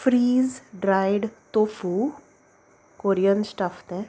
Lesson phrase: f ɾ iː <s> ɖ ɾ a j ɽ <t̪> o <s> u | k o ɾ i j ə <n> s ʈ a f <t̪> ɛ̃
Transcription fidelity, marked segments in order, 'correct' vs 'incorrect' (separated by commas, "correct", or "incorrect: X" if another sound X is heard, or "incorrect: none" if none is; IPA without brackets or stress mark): incorrect: z, correct, incorrect: f, correct, correct